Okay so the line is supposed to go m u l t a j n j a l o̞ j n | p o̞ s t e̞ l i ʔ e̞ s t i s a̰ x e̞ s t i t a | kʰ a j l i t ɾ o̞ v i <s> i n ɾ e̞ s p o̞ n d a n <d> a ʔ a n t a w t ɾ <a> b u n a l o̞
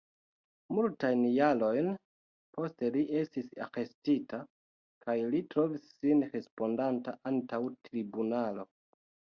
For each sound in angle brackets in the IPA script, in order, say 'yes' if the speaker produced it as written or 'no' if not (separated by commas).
no, no, no